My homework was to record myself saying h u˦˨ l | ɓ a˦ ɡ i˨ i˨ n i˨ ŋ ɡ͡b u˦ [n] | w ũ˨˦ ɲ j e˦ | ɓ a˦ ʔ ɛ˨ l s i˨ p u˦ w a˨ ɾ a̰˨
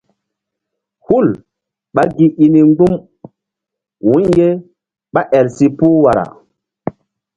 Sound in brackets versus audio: incorrect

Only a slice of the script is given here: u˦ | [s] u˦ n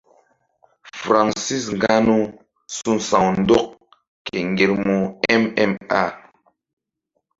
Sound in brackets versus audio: correct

